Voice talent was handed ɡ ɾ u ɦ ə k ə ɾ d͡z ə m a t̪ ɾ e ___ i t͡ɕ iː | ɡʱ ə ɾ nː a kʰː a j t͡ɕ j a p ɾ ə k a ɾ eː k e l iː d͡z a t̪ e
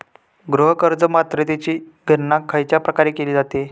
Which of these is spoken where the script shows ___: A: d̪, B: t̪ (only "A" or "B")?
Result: B